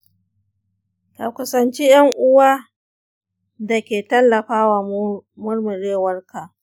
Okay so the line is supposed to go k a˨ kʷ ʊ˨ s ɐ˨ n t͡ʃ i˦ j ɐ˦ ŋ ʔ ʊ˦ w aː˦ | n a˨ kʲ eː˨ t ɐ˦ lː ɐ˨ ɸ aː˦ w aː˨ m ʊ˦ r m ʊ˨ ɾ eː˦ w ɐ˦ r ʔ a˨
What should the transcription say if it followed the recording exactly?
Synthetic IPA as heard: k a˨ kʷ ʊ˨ s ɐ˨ n t͡ʃ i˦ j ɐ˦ ŋ ʔ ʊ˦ w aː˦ | d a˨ kʲ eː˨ t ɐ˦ lː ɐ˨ ɸ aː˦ w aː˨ m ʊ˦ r m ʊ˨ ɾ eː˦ w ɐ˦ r k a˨